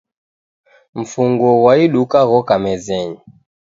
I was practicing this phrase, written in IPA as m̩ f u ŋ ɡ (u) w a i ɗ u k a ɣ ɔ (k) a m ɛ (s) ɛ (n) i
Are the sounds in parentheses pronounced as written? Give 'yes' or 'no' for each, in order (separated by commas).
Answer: no, yes, no, no